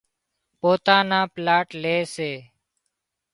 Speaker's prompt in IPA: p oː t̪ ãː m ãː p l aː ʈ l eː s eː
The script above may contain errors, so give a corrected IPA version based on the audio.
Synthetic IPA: p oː t̪ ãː n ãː p l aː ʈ l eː s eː